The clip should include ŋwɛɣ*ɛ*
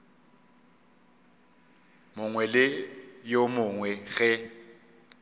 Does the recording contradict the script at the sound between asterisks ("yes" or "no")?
no